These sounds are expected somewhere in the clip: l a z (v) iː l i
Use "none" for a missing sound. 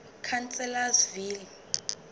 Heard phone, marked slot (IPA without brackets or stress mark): v